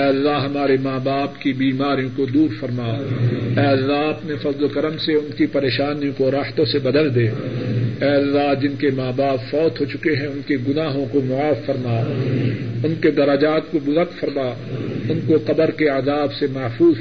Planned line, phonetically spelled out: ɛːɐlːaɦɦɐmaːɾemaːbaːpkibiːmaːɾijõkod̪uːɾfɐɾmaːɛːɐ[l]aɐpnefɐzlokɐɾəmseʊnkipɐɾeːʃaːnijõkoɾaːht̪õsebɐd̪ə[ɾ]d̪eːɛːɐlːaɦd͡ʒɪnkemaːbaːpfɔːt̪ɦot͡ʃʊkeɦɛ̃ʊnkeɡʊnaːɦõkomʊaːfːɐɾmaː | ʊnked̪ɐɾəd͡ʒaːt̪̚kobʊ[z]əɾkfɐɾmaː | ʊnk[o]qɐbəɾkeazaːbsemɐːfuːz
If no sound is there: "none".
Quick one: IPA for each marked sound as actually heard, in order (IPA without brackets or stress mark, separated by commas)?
lː, l, z, o